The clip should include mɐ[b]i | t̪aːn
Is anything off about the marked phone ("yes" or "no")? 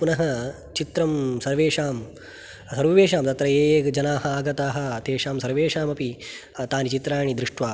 yes